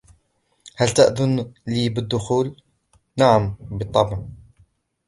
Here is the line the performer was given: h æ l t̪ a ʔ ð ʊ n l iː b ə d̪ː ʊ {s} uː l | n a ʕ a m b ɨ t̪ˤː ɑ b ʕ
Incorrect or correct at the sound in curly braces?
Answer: incorrect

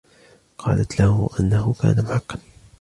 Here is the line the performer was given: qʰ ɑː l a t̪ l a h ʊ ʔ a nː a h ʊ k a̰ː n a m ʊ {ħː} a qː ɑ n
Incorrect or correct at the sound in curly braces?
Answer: incorrect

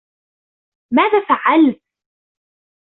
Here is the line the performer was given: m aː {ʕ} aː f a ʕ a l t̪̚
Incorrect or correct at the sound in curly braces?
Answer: incorrect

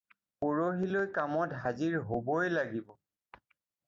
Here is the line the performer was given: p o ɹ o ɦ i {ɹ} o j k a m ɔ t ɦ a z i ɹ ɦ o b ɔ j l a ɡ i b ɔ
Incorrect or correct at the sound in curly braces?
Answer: incorrect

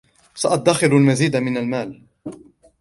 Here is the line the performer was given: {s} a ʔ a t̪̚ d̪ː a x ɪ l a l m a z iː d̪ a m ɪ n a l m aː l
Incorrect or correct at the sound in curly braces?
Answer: correct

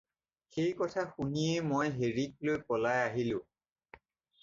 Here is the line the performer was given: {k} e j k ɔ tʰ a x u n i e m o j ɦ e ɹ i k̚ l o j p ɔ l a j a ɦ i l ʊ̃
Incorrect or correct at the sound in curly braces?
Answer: incorrect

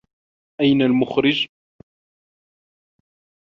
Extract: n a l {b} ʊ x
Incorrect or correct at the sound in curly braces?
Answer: incorrect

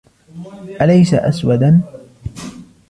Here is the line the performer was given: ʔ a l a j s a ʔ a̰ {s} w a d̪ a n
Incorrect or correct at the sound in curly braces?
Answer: correct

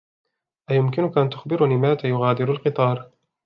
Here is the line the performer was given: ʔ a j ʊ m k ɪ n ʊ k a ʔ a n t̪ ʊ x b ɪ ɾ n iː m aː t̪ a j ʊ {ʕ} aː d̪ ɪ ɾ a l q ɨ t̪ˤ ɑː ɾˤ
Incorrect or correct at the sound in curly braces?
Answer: incorrect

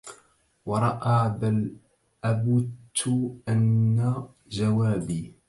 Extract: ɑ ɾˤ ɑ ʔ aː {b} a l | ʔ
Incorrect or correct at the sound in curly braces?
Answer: correct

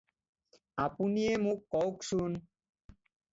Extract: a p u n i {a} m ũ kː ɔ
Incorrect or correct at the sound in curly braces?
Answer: incorrect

